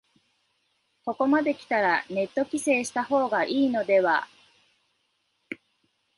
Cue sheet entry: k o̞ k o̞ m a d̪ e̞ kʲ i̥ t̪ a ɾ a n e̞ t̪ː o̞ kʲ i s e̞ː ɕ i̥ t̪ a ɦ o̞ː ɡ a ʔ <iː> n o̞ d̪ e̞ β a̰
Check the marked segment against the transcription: correct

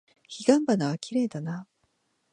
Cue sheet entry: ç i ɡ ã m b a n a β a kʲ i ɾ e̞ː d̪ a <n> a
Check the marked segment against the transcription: correct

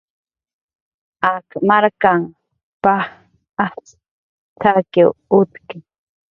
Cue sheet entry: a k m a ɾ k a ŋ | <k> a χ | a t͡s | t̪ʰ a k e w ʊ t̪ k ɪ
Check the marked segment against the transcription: incorrect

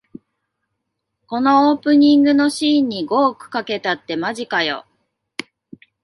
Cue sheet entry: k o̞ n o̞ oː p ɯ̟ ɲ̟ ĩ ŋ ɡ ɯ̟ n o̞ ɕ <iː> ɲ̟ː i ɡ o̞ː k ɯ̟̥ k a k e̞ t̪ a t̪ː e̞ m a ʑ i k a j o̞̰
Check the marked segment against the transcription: correct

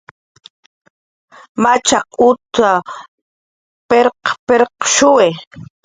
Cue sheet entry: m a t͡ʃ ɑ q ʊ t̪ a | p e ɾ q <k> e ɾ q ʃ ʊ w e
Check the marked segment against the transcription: incorrect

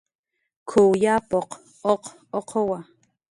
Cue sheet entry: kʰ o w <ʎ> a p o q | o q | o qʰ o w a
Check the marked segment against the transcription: incorrect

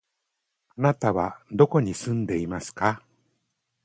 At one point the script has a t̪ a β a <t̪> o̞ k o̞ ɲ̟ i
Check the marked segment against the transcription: incorrect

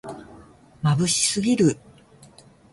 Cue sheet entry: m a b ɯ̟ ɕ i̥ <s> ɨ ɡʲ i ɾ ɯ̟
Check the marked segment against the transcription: correct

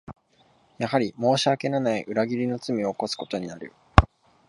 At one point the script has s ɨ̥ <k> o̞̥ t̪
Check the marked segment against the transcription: correct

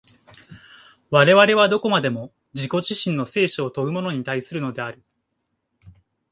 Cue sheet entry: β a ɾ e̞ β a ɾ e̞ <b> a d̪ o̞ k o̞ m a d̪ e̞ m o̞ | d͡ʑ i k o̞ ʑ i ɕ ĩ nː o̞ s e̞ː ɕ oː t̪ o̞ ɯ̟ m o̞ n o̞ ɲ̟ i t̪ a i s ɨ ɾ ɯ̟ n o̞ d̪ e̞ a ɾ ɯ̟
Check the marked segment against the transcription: incorrect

